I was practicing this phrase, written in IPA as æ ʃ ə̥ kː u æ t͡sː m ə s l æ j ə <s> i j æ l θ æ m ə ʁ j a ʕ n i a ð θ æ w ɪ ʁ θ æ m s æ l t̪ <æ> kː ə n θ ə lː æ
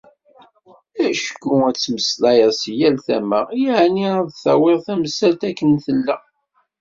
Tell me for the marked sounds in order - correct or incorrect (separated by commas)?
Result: correct, correct